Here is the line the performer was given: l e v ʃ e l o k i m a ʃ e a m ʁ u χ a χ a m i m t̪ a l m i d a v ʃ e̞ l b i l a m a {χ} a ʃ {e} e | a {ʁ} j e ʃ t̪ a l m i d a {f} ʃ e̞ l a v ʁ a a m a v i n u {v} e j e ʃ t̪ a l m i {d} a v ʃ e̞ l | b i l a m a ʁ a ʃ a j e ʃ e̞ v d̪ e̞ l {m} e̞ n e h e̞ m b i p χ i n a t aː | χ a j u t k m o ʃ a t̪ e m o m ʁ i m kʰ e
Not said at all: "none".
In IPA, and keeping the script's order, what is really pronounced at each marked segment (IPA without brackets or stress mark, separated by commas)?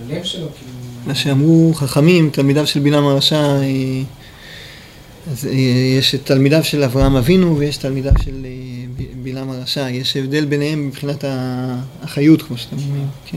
ʁ, a, z, v, v, d, b